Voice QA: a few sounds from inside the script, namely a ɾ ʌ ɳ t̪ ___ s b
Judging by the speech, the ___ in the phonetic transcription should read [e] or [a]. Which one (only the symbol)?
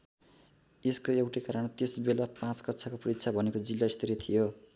e